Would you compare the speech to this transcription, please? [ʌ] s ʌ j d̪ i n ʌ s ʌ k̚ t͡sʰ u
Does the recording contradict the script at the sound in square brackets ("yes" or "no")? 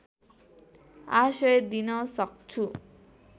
yes